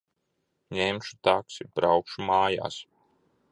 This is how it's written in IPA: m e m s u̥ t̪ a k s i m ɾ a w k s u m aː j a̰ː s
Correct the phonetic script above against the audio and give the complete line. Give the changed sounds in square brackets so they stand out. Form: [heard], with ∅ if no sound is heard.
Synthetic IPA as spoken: [ɲ] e m [ʃ] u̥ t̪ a k s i [b] ɾ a w k [ʃ] u m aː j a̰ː s

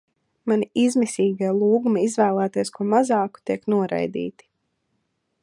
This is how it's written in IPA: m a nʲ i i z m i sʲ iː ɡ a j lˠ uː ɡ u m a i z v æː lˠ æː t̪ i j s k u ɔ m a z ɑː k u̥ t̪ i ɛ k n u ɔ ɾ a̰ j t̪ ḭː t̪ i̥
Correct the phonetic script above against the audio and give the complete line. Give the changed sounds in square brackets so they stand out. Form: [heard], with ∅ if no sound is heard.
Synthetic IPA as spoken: m a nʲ i i z m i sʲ iː ɡ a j lˠ uː ɡ u m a i z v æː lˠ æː t̪ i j s k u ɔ m a z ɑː k u̥ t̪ i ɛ k n u ɔ ɾ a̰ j [d̪] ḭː t̪ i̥

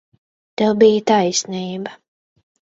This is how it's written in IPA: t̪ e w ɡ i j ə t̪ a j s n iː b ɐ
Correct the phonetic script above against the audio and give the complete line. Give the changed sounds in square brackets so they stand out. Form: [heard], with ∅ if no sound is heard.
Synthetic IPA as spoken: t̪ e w [b] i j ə t̪ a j s n iː b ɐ

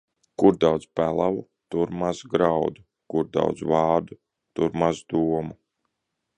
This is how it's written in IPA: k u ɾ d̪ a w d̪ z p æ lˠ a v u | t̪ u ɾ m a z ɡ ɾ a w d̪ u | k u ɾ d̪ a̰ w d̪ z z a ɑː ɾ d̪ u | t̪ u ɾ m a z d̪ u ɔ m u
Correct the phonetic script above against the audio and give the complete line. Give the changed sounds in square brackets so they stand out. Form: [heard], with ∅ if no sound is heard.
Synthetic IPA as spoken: k u ɾ d̪ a w d̪ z p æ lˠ a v u | t̪ u ɾ m a z ɡ ɾ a w d̪ u | k u ɾ d̪ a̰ w d̪ z [v] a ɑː ɾ d̪ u | t̪ u ɾ m a z d̪ u ɔ m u

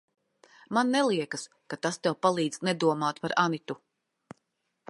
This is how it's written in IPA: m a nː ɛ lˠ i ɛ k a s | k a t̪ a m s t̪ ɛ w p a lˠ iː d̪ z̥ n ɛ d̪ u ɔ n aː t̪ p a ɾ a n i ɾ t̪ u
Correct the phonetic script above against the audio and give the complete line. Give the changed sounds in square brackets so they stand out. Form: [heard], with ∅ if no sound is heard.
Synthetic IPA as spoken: m a nː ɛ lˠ i ɛ k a s | k a t̪ a [∅] s t̪ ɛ w p a lˠ iː d̪ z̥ n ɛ d̪ u ɔ [m] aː t̪ p a ɾ a n i [∅] t̪ u

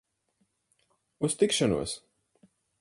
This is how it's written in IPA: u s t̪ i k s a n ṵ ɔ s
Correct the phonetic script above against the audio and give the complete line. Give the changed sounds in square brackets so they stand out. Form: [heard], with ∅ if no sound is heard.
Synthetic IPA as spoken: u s t̪ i k [ʃ] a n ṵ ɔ s

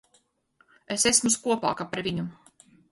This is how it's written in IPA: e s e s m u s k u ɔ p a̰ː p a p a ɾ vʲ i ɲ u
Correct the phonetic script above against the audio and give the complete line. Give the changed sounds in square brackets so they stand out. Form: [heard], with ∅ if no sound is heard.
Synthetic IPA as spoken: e s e s m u s k u ɔ p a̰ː [k] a p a ɾ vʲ i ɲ u

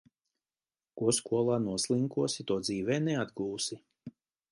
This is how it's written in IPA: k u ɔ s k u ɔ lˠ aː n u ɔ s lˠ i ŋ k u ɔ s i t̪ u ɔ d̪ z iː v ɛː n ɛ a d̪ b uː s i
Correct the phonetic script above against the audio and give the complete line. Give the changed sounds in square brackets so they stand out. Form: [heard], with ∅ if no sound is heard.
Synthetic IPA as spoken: k u ɔ s k u ɔ lˠ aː n u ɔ s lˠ i ŋ k u ɔ s i t̪ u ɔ d̪ z iː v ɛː n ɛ a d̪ [ɡ] uː s i

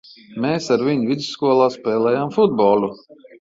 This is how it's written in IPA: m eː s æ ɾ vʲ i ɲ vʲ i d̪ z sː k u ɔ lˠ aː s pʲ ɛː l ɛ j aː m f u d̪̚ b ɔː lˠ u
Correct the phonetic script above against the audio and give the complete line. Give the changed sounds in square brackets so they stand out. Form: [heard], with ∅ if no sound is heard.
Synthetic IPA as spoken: m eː s [a] ɾ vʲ i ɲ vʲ i d̪ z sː k u ɔ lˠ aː s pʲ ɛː l ɛ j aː m f u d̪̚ b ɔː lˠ u

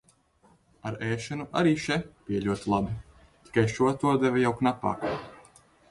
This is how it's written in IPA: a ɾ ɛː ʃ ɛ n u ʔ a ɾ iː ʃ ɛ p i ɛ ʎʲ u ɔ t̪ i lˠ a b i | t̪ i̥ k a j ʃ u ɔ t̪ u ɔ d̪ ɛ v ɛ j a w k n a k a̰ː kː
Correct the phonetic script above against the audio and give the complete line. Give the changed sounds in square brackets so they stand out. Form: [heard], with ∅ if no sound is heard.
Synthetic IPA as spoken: a ɾ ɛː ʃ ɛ n u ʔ a ɾ iː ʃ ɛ p i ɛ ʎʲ u ɔ t̪ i lˠ a b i | t̪ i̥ k a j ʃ u ɔ t̪ u ɔ d̪ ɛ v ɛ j a w k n a [p] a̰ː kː

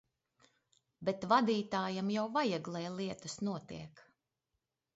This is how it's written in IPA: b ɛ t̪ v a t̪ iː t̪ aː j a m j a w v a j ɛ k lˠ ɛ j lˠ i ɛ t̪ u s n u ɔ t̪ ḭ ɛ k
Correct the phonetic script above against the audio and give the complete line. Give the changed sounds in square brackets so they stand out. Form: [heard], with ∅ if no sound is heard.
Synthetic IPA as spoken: b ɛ t̪ v a [d̪] iː t̪ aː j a m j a w v a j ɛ [ɡ] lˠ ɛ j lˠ i ɛ t̪ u s n u ɔ t̪ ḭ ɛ k

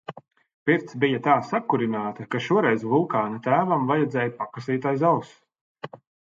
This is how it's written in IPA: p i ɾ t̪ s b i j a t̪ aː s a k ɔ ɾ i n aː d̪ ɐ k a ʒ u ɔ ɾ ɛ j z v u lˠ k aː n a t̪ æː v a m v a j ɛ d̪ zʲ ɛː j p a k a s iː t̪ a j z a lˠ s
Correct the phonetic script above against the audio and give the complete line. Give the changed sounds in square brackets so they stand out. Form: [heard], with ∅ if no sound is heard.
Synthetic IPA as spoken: p i ɾ t̪ s b i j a t̪ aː s a k [u] ɾ i n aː [t̪] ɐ k a [ʃ] u ɔ ɾ ɛ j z v u lˠ k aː n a t̪ æː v a m v a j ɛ d̪ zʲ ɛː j p a k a s iː t̪ a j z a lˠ s

